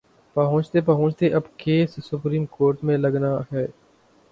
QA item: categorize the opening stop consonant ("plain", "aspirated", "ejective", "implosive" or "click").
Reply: plain